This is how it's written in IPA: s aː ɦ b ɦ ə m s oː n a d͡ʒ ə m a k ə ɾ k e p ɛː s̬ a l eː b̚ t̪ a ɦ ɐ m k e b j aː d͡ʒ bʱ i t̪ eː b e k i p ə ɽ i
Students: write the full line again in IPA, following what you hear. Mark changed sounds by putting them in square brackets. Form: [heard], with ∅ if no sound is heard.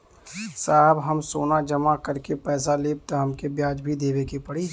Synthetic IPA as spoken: s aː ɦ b ɦ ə m s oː n a d͡ʒ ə m a k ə ɾ k e p ɛː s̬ a l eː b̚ t̪ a ɦ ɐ m k e b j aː d͡ʒ bʱ i [d̪] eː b e k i p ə ɽ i